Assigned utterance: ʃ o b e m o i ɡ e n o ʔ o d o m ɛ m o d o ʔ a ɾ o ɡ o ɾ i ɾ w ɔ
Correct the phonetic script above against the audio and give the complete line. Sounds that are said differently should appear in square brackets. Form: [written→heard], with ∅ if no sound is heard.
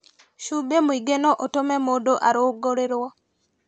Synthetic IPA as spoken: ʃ [o→u] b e m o i ɡ e n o ʔ o [d→t] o m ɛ m o d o ʔ a ɾ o ɡ o ɾ [i→e] ɾ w ɔ